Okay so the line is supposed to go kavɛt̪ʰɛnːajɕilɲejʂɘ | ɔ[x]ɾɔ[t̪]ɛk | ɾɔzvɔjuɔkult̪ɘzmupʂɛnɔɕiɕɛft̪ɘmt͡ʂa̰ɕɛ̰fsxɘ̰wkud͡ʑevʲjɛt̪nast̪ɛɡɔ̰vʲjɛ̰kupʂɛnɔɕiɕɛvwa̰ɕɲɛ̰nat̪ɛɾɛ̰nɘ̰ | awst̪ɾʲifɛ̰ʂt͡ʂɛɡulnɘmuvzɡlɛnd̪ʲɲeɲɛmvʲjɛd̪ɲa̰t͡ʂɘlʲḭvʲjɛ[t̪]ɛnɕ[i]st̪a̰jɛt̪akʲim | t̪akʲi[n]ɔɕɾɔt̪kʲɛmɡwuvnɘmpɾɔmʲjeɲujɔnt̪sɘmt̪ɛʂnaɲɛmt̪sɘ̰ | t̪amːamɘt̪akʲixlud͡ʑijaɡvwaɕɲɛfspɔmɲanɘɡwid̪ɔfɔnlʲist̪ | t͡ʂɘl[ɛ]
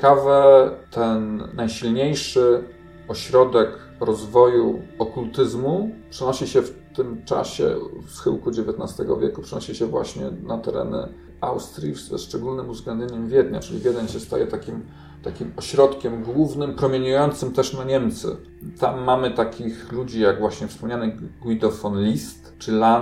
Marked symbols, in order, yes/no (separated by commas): no, no, no, no, no, no